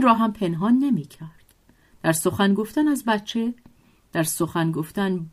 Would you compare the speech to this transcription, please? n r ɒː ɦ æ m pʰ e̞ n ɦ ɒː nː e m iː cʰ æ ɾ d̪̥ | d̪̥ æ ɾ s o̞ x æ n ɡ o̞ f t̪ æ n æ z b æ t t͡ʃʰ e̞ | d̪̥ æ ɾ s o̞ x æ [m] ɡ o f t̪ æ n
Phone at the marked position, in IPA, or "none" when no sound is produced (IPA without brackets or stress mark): n